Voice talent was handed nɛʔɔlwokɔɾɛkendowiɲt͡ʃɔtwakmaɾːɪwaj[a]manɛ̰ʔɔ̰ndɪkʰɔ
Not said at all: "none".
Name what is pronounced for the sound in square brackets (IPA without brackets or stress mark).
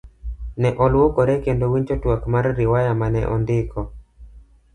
a